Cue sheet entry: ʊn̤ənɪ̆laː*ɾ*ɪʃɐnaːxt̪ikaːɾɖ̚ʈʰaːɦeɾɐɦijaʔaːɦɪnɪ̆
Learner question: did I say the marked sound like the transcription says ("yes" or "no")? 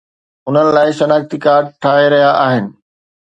no